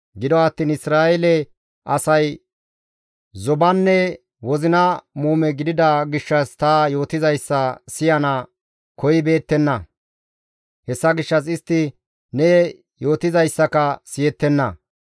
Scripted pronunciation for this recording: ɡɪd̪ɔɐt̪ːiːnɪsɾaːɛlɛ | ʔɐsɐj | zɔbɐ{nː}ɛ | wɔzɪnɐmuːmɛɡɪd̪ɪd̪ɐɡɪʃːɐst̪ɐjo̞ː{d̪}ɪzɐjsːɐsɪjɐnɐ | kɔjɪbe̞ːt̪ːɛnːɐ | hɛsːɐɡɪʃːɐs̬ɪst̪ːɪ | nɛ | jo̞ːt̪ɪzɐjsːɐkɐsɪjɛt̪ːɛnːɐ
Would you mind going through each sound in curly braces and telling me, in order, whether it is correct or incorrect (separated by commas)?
correct, incorrect